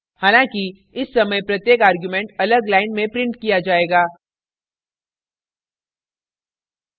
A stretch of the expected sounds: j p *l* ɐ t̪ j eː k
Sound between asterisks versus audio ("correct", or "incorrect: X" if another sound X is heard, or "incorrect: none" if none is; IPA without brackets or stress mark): incorrect: ɾ